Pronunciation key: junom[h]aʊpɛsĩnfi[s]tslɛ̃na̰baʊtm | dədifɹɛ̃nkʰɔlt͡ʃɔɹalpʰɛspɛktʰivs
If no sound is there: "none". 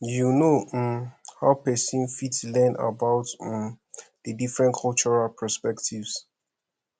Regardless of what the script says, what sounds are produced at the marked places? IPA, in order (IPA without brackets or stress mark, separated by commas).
h, none